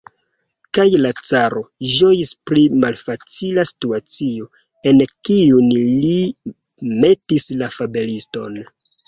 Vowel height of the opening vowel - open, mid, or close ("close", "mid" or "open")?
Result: open